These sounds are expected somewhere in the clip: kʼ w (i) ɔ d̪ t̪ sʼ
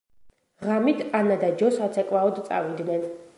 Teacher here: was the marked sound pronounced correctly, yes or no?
no